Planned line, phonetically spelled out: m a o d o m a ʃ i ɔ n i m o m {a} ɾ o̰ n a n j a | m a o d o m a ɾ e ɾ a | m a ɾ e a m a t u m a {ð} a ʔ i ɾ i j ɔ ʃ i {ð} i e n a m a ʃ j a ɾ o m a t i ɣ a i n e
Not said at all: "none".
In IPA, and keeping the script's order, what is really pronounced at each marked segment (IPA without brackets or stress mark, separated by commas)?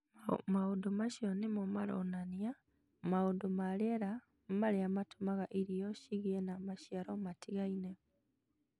a, ɣ, ɣ